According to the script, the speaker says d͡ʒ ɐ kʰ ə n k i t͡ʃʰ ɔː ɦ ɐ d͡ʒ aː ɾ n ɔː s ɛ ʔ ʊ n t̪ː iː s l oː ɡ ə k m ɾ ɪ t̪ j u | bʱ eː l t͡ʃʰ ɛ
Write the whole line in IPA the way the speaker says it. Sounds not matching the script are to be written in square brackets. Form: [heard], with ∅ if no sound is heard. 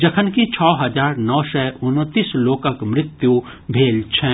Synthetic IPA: d͡ʒ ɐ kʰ ə n k i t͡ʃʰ ɔː ɦ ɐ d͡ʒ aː ɾ n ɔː s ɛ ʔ ʊ n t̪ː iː s l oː [k] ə k m ɾ ɪ t̪ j u | bʱ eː l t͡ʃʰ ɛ